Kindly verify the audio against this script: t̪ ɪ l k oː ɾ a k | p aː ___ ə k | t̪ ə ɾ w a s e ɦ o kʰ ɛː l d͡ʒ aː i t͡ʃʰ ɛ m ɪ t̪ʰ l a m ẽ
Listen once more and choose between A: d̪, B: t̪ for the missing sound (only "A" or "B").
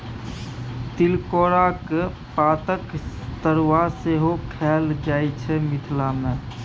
B